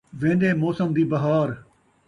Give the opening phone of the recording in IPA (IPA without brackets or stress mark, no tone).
ʋ